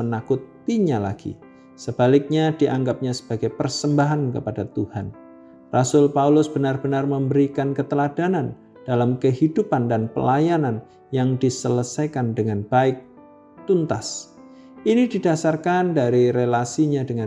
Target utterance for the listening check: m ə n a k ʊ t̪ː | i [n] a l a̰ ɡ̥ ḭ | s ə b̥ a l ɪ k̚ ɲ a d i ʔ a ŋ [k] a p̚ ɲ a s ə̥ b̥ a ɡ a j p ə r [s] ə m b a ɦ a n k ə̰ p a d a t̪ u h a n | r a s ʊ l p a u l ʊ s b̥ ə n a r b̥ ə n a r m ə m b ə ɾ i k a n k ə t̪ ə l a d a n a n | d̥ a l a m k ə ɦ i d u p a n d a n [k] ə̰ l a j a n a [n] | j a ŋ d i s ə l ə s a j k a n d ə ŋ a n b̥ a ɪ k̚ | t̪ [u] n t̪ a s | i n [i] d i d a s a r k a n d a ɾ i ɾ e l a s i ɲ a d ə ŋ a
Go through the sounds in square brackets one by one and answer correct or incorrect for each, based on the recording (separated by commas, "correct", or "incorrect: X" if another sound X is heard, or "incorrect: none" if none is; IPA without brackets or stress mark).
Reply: incorrect: ɲ, incorrect: ɡ, correct, incorrect: p, correct, correct, correct